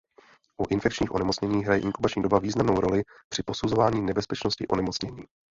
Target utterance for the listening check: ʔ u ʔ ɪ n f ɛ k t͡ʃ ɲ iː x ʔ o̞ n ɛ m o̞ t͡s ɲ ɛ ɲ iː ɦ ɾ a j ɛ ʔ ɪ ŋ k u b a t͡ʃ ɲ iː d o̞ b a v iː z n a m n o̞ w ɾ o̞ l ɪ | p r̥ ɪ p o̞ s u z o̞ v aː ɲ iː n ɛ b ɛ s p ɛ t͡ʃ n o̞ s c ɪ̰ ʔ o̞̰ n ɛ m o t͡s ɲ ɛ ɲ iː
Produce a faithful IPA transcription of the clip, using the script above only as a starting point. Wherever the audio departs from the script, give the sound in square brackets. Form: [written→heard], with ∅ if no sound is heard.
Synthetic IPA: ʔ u ʔ ɪ n f ɛ k t͡ʃ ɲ iː x ʔ o̞ n ɛ m o̞ t͡s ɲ ɛ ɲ iː ɦ ɾ a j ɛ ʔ ɪ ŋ k u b a t͡ʃ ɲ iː d o̞ b a v iː z n a m n o̞ w ɾ o̞ l ɪ | p r̥ ɪ p o̞ s u z o̞ v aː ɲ iː n ɛ b ɛ s p ɛ t͡ʃ n o̞ s c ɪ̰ ʔ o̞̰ n ɛ m o t͡s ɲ ɛ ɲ iː